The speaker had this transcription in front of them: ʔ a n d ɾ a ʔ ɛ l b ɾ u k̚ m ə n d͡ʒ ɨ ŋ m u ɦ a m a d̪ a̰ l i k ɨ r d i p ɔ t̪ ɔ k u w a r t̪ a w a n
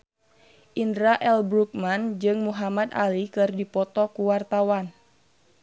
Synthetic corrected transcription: ʔ i n d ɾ a ʔ ɛ l b ɾ u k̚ m a n d͡ʒ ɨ ŋ m u ɦ a m a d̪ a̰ l i k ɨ r d i p ɔ t̪ ɔ k u w a r t̪ a w a n